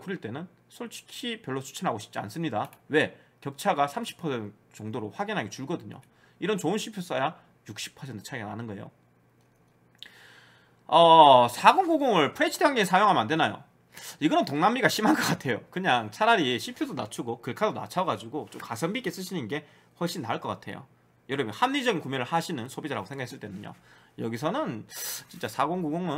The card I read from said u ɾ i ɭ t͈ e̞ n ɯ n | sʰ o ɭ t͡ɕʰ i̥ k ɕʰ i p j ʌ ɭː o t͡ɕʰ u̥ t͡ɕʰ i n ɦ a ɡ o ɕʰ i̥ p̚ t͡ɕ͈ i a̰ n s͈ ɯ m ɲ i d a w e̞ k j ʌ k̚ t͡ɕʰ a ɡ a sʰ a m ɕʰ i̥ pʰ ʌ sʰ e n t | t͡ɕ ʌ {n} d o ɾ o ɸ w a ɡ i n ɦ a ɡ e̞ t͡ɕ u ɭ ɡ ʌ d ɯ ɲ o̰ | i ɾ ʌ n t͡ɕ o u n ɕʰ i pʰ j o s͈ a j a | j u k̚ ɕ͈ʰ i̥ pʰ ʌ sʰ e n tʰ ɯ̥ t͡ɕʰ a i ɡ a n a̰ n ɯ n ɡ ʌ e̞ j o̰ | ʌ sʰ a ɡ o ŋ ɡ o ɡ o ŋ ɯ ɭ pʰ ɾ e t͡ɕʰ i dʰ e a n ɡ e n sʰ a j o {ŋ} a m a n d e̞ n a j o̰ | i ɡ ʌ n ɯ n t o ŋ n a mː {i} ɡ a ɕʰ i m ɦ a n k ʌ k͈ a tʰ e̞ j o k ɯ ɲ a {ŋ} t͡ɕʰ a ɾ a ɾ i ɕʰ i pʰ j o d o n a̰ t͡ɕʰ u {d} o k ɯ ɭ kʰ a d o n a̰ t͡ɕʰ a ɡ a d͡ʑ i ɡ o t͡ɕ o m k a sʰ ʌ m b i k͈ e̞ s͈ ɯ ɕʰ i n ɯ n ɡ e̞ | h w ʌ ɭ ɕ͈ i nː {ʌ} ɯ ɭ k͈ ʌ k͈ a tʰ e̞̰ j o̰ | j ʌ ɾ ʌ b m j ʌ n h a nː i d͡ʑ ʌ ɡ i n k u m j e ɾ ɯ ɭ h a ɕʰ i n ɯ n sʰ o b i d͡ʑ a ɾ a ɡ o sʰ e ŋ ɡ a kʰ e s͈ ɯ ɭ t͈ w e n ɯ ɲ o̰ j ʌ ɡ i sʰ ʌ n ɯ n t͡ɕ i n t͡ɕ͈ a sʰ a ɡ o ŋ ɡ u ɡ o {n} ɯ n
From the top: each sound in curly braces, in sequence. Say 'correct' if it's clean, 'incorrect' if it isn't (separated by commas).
incorrect, correct, correct, correct, incorrect, incorrect, incorrect